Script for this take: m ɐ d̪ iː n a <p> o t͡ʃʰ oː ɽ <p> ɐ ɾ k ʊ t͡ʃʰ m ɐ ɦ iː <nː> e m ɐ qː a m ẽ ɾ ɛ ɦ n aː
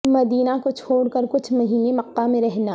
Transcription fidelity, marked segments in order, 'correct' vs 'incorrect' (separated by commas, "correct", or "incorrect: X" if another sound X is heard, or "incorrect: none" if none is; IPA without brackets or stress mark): incorrect: k, incorrect: k, incorrect: n